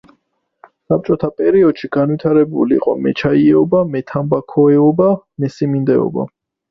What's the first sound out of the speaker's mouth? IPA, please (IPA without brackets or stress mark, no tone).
s